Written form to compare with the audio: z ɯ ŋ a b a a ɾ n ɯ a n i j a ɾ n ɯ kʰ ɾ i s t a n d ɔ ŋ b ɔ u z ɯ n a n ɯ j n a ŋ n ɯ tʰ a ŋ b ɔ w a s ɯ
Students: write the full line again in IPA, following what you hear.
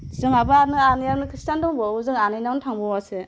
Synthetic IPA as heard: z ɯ ŋ a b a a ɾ n ɯ a n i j a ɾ n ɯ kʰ ɾ i s t a n d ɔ ŋ b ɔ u z ɯ ŋ a n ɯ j n a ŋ n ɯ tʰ a ŋ b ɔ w a s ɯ